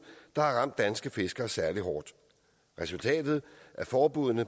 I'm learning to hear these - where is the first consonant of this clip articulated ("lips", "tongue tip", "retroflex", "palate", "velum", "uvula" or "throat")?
tongue tip